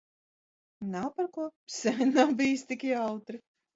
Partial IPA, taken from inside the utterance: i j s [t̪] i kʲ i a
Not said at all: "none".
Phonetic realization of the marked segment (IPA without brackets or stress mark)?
t̪